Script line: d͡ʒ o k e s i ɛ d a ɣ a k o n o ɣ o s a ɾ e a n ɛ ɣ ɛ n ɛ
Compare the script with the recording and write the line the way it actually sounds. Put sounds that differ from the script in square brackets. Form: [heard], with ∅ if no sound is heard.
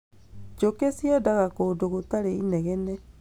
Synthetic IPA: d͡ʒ o k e s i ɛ d a ɣ a k o [d] o ɣ o [t] a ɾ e [i] n ɛ ɣ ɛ n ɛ